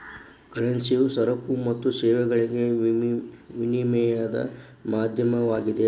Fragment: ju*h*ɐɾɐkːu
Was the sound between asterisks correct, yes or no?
no